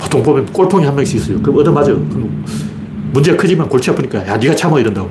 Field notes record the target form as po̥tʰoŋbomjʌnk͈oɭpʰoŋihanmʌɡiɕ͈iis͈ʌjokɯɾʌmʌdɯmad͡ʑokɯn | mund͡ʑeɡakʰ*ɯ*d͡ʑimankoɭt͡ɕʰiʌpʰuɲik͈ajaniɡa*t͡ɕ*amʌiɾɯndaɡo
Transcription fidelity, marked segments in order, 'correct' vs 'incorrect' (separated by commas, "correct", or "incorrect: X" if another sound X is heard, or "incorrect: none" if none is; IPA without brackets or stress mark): correct, incorrect: t͡ɕʰ